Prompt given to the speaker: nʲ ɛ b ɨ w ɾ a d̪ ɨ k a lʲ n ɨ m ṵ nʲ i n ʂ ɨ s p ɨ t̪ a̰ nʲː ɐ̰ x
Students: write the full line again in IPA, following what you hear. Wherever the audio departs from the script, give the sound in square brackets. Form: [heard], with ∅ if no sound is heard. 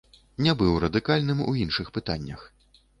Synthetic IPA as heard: nʲ ɛ b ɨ w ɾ [ɐ] d̪ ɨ k a lʲ n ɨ m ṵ [∅] i n ʂ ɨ [x] p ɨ t̪ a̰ nʲː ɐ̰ x